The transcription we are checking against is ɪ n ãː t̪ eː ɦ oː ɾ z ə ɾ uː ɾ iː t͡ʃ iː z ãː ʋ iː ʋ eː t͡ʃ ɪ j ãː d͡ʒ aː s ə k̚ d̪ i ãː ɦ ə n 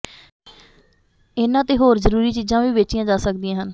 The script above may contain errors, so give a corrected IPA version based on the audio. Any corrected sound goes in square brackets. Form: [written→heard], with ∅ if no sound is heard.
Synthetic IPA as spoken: ɪ n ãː t̪ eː ɦ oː ɾ z ə ɾ uː ɾ iː t͡ʃ iː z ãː ʋ iː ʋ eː t͡ʃ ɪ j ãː d͡ʒ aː s ə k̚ d̪ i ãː ɦ ə n

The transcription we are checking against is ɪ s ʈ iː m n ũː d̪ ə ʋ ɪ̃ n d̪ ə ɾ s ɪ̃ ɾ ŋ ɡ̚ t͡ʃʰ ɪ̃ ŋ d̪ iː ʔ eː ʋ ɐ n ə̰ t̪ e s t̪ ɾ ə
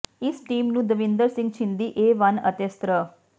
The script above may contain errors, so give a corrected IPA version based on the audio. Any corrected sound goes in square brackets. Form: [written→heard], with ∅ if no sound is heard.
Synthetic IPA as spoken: ɪ s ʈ iː m n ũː d̪ ə ʋ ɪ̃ n d̪ ə ɾ s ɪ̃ [ɾ→∅] ŋ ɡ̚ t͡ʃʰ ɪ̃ [ŋ→n] d̪ iː ʔ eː ʋ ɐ n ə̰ t̪ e s t̪ ɾ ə

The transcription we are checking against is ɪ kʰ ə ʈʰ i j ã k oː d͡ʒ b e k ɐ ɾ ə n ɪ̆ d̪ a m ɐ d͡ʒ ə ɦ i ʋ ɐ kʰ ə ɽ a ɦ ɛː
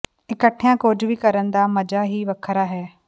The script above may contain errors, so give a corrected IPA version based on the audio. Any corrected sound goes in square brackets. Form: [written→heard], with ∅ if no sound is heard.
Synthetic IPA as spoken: ɪ [kʰ→k] ə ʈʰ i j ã k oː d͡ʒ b [e→i] k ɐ ɾ ə n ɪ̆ d̪ a m ɐ d͡ʒ [ə→a] ɦ i ʋ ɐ kʰ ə [ɽ→ɾ] a ɦ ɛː

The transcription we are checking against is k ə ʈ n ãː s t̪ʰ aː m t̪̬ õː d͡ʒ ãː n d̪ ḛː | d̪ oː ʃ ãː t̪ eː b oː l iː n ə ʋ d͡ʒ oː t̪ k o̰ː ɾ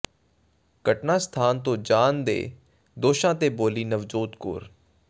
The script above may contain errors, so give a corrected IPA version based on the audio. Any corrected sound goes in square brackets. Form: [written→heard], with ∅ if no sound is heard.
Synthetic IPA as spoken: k ə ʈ n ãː s t̪ʰ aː [m→n] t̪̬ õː d͡ʒ [ãː→aː] n d̪ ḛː | d̪ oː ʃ ãː t̪ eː b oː l iː n ə ʋ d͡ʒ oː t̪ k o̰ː ɾ

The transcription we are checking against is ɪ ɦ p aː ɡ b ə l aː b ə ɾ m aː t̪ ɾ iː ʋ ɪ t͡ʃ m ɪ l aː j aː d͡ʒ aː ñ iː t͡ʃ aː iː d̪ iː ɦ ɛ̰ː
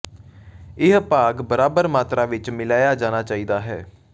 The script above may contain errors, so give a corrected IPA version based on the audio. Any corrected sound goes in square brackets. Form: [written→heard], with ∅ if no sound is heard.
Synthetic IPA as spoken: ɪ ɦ p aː ɡ b ə [l→ɾ] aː b ə ɾ m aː t̪ ɾ [iː→aː] ʋ ɪ t͡ʃ m ɪ l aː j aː d͡ʒ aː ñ [iː→aː] t͡ʃ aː iː d̪ [iː→aː] ɦ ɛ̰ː

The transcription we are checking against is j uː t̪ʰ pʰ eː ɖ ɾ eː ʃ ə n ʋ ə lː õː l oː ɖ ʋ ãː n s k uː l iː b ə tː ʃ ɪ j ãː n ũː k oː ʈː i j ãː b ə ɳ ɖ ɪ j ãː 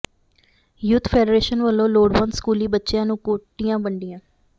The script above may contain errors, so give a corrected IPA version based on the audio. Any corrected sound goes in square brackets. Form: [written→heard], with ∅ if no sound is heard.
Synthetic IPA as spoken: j uː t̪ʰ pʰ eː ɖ ɾ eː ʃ ə n ʋ ə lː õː l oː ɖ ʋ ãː n s k uː l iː b ə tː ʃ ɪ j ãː n ũː k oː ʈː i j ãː b ə ɳ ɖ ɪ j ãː

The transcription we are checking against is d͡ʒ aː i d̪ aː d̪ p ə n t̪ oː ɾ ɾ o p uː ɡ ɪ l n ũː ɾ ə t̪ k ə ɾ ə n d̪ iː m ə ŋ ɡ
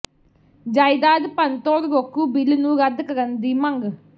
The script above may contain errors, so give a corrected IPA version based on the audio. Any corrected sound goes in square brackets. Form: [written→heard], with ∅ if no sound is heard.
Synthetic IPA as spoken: d͡ʒ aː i d̪ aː d̪ p ə n t̪ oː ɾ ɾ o [p→k] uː [ɡ→b] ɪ l n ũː ɾ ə [t̪→d̪] k ə ɾ ə n d̪ iː m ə ŋ ɡ

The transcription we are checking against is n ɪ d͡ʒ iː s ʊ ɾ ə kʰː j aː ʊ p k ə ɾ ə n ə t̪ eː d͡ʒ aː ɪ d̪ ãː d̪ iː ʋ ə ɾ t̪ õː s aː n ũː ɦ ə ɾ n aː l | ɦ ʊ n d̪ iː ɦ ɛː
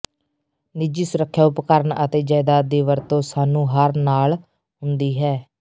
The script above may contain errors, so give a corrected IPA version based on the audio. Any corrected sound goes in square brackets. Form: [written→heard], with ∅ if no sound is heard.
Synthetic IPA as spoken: n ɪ d͡ʒ iː s ʊ ɾ ə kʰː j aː ʊ p k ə ɾ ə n ə t̪ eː d͡ʒ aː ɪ d̪ [ãː→aː] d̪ iː ʋ ə ɾ t̪ õː s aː n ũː ɦ ə ɾ n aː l | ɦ ʊ n d̪ iː ɦ ɛː

